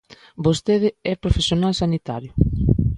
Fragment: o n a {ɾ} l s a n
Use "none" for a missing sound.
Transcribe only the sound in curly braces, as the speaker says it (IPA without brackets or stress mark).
none